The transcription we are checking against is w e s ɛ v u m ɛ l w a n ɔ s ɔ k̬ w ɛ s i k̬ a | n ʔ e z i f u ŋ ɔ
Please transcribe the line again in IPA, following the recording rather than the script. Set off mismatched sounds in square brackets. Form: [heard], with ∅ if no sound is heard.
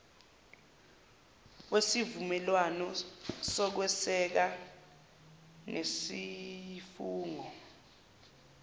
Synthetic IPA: w e s [i] v u m ɛ l w a n ɔ s ɔ k̬ w ɛ s [ɛ] k̬ a | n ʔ e [s] i f [uː] ŋ ɔ